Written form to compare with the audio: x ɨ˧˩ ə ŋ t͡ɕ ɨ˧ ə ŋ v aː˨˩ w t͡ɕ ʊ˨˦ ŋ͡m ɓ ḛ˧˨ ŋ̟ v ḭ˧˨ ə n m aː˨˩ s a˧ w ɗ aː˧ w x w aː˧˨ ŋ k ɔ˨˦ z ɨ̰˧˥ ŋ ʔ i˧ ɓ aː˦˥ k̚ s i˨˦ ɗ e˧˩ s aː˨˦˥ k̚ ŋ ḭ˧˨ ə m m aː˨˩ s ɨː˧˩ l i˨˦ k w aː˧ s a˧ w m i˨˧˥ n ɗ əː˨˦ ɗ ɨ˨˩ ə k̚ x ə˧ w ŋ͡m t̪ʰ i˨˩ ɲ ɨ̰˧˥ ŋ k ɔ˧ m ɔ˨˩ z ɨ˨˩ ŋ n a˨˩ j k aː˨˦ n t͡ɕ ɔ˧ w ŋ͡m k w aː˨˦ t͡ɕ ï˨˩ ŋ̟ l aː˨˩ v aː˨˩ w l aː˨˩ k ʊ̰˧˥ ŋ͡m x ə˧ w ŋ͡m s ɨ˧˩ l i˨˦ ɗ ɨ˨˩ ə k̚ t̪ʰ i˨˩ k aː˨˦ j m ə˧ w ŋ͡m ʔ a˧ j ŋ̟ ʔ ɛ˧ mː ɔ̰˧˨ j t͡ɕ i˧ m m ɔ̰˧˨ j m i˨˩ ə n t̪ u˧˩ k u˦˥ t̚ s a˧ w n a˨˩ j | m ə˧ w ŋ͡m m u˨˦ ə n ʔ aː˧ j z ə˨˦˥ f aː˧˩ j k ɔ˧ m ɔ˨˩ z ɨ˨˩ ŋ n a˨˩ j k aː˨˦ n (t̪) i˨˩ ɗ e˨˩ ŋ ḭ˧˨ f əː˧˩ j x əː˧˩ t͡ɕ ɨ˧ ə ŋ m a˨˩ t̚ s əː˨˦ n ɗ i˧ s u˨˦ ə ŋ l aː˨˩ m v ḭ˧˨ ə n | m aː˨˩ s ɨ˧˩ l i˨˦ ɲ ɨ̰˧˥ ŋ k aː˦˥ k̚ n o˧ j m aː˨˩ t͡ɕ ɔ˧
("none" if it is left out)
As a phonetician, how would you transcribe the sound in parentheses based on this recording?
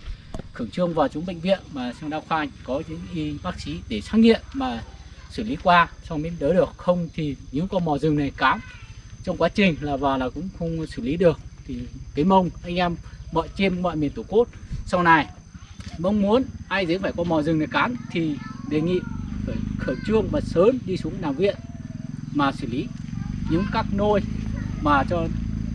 t̪ʰ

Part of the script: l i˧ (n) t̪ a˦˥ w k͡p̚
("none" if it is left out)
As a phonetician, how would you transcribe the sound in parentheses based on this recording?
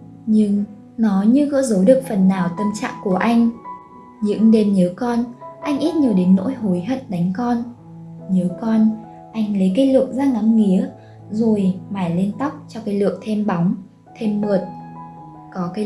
n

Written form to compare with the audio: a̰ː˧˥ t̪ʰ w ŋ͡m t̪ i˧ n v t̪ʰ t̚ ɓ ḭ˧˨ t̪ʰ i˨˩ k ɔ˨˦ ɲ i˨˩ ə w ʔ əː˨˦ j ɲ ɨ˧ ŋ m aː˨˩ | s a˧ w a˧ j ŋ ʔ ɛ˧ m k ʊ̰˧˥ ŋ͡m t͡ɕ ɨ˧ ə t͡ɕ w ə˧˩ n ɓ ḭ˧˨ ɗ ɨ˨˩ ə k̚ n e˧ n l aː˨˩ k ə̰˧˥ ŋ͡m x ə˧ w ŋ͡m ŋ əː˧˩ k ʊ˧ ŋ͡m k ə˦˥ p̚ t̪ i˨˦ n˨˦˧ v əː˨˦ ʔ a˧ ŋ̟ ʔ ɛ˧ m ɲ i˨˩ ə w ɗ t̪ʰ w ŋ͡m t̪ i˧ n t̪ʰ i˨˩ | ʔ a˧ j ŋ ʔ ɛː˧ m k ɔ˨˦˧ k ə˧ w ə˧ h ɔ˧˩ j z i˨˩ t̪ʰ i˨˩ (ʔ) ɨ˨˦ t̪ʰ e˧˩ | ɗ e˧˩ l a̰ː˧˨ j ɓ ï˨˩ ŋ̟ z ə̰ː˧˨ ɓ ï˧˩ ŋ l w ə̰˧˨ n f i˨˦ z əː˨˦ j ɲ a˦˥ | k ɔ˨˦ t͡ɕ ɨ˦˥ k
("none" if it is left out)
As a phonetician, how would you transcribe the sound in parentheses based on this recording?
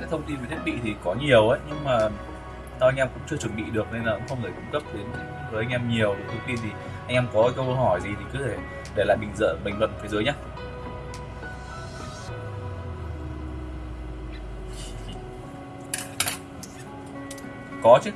k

